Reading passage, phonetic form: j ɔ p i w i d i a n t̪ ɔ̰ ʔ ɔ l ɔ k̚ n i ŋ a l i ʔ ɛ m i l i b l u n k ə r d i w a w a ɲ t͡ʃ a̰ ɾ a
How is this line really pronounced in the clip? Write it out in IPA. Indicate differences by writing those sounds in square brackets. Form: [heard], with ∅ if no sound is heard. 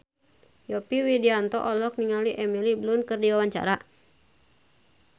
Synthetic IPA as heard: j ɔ p i w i d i a n t̪ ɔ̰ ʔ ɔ l ɔ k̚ n i ŋ a l i ʔ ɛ m i l i b l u n k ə r d i w a w a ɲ t͡ʃ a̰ ɾ a